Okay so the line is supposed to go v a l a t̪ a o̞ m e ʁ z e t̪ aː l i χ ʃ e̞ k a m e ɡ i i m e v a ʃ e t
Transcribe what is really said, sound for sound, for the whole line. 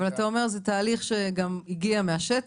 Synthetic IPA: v a l a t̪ a o̞ m e ʁ z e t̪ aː l i χ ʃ e̞ ɡ a m i ɡ i a m e a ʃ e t